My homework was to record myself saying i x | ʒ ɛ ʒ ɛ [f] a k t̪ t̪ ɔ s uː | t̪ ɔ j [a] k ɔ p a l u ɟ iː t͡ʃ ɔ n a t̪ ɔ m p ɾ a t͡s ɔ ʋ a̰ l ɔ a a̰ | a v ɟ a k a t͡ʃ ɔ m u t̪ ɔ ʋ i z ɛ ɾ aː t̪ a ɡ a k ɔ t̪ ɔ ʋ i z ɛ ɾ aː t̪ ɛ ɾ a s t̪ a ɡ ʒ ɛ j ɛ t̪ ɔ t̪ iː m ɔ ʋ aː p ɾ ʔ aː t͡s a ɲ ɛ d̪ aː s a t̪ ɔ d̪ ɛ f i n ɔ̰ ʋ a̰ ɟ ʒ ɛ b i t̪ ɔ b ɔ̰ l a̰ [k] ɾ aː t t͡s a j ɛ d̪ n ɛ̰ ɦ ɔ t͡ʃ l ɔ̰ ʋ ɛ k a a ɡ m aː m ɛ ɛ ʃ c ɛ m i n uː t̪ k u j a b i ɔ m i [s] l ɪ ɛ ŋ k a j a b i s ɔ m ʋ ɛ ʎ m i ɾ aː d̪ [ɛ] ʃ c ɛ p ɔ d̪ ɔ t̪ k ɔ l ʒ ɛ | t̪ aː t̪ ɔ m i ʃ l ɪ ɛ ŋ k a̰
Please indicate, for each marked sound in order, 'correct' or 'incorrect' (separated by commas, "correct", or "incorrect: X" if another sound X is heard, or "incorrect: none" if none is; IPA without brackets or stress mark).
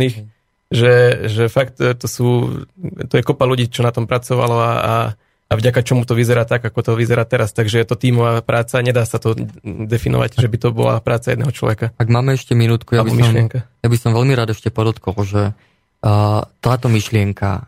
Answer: correct, incorrect: ɛ, incorrect: p, incorrect: ʃ, correct